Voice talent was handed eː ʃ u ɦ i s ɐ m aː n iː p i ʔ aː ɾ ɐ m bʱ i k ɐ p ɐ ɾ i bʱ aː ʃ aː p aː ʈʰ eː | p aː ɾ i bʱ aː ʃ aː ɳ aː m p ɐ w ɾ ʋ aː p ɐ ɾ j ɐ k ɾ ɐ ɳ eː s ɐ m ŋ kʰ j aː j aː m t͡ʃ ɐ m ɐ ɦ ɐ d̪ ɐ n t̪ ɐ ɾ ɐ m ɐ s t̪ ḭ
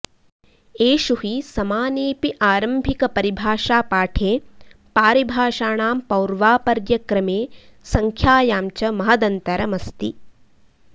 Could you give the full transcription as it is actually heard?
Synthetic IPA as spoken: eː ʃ u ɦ i s ɐ m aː n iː p i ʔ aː ɾ ɐ m bʱ i k ɐ p ɐ ɾ i bʱ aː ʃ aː p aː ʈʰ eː | p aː ɾ i bʱ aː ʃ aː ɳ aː m p ɐ w ɾ ʋ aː p ɐ ɾ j ɐ k ɾ ɐ m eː s ɐ ŋ kʰ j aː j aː m t͡ʃ ɐ m ɐ ɦ ɐ d̪ ɐ n t̪ ɐ ɾ ɐ m ɐ s t̪ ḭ